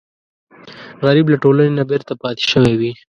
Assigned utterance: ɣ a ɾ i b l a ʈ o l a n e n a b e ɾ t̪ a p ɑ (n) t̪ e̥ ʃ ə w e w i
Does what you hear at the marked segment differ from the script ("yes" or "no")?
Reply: yes